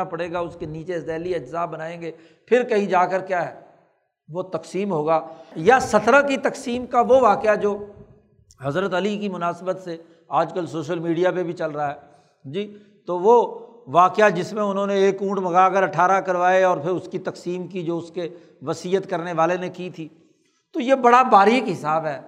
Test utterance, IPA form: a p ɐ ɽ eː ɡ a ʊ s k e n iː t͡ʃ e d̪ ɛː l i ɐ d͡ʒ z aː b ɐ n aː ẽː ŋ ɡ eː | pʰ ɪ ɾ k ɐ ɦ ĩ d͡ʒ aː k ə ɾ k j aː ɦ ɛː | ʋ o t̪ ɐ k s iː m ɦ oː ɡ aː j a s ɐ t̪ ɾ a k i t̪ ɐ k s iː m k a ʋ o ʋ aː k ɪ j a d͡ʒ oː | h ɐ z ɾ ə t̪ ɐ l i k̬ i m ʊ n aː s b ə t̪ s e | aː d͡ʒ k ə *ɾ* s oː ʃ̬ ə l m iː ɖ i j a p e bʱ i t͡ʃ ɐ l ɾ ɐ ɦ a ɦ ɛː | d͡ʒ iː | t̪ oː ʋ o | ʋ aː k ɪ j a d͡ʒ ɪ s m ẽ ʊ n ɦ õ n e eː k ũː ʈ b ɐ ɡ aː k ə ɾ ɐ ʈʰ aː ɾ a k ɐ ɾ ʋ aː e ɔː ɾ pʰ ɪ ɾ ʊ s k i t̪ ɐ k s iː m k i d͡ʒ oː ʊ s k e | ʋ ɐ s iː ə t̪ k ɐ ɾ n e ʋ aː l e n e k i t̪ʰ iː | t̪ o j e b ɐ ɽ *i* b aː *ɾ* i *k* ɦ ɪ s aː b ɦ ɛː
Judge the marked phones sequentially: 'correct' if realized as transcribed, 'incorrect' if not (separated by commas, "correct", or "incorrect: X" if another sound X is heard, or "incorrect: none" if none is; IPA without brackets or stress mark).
incorrect: l, incorrect: a, correct, correct